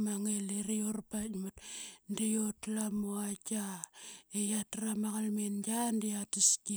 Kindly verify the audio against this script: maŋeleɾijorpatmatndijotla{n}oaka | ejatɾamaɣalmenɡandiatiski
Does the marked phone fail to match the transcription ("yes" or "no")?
yes